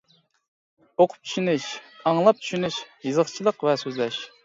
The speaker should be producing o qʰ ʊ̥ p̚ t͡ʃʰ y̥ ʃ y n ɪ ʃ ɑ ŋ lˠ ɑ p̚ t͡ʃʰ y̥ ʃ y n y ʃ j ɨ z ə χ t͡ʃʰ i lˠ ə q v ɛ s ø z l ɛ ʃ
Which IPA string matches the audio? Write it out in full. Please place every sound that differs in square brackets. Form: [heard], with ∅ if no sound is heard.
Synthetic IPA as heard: o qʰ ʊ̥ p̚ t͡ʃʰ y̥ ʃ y n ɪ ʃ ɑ ŋ lˠ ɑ p̚ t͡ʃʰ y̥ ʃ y n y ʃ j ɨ z ə χ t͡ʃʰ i lˠ ə q v ɛ s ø z l ɛ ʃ